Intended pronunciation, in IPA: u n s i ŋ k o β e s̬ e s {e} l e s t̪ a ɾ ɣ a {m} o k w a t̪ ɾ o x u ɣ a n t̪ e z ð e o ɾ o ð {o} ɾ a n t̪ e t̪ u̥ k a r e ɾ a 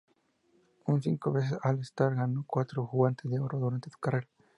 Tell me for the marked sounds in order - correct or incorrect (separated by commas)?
incorrect, incorrect, incorrect